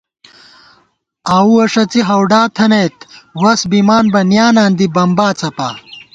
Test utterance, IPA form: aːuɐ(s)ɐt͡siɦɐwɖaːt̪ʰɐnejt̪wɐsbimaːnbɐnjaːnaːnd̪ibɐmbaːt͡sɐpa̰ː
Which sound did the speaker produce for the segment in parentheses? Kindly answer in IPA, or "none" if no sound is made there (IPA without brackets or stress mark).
ʂ